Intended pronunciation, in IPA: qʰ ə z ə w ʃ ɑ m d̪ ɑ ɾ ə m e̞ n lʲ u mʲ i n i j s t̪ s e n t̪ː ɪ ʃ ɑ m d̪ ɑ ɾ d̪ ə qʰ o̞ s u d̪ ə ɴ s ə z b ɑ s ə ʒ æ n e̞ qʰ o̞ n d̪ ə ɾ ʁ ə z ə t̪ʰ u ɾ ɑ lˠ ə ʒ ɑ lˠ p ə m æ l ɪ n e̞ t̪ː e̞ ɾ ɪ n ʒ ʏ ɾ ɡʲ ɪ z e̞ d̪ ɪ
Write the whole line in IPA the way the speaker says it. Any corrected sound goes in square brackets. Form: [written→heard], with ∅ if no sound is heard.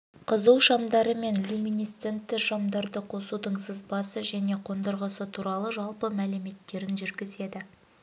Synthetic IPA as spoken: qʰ ə z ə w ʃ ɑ m d̪ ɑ ɾ ə m e̞ n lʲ u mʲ i n i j s t̪ s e n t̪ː ɪ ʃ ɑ m d̪ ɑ ɾ d̪ ə qʰ o̞ s u d̪ ə ɴ s ə z b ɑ s ə ʒ æ n e̞ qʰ o̞ n d̪ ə ɾ ʁ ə [z→s] ə t̪ʰ u ɾ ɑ lˠ ə ʒ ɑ lˠ p ə m æ l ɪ [n→m] e̞ t̪ː e̞ ɾ ɪ n ʒ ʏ ɾ ɡʲ ɪ z e̞ d̪ ɪ